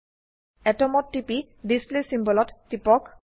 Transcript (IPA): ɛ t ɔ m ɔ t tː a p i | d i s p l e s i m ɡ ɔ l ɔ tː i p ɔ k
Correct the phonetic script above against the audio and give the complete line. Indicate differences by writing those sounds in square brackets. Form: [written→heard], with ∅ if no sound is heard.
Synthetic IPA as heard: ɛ t ɔ m ɔ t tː [a→i] p i | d i s p l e s i m [ɡ→b] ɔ l ɔ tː i p ɔ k